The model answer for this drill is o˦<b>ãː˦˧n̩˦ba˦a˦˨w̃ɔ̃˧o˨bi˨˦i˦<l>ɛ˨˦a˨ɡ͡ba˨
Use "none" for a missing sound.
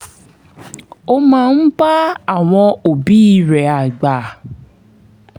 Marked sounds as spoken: m, ɾ

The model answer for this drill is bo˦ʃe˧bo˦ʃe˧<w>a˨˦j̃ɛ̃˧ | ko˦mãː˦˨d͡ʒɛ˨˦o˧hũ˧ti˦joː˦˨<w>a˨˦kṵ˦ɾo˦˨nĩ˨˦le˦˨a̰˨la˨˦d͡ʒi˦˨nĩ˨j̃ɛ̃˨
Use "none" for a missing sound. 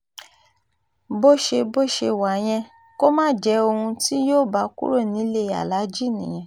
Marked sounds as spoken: w, b

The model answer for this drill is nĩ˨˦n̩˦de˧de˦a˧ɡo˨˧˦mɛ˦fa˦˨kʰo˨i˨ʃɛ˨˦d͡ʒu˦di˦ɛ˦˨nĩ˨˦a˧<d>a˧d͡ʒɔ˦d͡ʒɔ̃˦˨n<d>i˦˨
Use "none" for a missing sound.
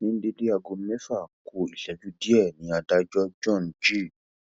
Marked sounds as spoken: d, d͡ʒ

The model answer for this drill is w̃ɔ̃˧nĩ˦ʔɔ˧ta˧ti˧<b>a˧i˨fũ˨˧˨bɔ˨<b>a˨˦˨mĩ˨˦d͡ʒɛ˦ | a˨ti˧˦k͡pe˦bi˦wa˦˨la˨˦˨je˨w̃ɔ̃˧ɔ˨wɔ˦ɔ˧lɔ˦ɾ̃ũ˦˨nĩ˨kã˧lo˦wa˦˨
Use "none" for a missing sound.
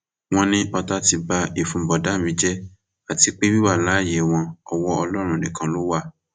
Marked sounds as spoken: b, d

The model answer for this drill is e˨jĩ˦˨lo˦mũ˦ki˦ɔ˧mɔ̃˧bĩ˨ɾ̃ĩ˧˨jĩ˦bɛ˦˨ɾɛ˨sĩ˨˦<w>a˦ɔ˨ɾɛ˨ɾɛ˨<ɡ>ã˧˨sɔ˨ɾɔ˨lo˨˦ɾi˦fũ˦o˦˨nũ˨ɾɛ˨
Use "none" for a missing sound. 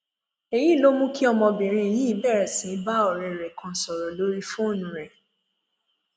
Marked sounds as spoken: b, k

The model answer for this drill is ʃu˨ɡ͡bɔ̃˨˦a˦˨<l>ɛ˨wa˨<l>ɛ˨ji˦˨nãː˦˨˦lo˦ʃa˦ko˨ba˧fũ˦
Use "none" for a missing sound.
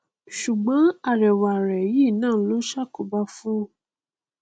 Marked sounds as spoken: ɾ, ɾ

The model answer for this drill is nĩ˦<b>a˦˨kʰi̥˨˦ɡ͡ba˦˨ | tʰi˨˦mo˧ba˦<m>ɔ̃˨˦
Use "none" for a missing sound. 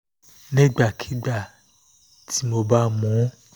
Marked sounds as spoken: ɡ͡b, m

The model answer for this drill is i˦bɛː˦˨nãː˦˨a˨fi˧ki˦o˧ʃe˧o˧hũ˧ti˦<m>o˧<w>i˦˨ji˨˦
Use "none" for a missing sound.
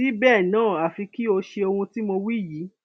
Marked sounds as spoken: m, w

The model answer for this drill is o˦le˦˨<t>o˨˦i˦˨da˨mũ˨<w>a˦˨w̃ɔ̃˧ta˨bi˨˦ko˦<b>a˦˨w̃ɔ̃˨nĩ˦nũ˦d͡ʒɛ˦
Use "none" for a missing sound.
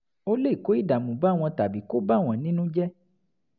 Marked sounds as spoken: k, b, b

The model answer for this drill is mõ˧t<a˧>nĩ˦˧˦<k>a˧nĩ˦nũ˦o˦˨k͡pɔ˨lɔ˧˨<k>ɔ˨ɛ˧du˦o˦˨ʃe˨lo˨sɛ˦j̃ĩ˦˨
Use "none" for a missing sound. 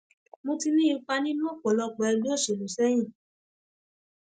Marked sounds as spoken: i˧, k͡p, k͡p

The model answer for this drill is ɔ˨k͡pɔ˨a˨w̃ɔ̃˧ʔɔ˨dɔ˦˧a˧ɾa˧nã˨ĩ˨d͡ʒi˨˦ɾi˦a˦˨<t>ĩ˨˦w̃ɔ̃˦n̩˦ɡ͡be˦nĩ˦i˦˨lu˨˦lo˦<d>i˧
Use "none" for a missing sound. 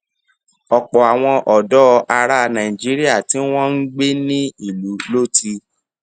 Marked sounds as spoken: t, t

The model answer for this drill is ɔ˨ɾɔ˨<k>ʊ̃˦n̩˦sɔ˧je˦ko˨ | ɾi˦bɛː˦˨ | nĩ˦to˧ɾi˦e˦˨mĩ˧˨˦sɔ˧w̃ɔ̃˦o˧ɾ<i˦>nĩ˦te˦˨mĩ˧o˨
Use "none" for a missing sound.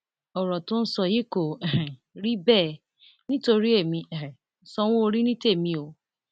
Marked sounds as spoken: t, i˦

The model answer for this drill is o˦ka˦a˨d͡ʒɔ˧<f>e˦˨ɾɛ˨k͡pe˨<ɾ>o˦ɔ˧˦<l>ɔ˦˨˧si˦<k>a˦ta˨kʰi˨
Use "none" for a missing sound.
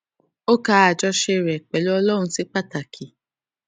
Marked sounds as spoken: ʃ, l, l, k͡p

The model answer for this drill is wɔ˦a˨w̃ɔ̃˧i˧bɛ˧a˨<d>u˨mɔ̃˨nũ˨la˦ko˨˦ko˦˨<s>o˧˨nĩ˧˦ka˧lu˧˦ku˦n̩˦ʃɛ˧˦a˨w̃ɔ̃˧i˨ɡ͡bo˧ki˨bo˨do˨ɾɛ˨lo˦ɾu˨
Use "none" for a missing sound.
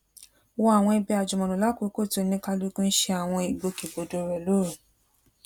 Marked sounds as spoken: d͡ʒ, t

